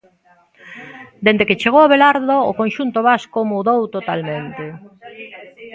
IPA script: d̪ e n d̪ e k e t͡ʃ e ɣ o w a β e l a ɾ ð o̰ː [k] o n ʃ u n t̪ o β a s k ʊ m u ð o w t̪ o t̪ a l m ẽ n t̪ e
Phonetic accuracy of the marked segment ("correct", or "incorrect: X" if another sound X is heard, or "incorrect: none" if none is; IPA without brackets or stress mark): correct